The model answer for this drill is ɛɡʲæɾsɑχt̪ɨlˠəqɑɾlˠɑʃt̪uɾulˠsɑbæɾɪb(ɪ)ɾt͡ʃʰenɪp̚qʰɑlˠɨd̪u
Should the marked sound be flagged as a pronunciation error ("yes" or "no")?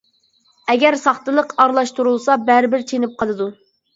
no